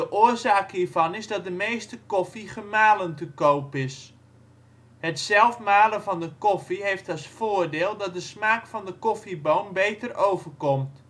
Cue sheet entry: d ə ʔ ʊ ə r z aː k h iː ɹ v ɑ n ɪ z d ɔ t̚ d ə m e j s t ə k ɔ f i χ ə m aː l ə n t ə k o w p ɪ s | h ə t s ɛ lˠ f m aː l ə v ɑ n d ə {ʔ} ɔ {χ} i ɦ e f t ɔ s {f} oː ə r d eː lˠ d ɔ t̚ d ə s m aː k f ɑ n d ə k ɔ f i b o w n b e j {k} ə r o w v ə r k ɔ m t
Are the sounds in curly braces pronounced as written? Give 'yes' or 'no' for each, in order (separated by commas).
no, no, yes, no